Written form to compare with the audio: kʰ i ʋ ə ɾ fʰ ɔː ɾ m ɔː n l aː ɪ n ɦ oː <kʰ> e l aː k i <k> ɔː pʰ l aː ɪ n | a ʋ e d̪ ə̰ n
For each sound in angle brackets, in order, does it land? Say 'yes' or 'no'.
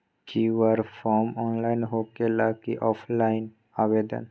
no, no

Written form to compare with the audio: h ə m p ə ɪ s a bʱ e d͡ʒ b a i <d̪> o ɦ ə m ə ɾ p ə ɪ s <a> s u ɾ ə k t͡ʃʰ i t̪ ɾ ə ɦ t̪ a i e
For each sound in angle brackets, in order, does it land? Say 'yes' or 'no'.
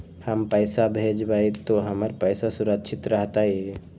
no, yes

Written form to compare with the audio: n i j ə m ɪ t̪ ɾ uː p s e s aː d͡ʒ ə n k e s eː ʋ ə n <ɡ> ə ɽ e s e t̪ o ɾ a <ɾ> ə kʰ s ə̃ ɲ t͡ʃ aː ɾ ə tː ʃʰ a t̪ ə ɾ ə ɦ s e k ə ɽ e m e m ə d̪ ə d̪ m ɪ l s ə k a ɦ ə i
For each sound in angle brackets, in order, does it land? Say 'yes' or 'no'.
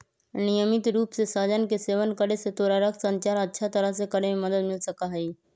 no, yes

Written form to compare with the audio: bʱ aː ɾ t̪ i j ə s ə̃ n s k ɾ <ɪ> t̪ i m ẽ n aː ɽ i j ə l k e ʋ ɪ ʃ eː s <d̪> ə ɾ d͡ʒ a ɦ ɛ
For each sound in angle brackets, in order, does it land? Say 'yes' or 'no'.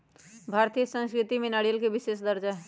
yes, yes

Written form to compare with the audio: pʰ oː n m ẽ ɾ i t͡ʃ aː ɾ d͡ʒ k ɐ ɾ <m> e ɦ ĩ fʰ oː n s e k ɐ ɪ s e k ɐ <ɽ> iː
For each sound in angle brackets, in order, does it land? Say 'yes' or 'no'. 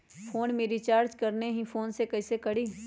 no, yes

